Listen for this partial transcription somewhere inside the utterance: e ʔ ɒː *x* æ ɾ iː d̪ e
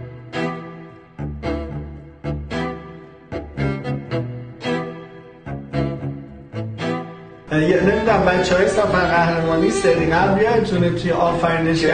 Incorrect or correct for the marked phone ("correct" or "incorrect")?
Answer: incorrect